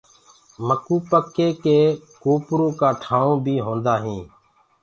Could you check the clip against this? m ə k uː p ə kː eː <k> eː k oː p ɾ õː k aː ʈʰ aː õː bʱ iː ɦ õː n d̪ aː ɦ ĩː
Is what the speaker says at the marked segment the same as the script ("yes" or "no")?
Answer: yes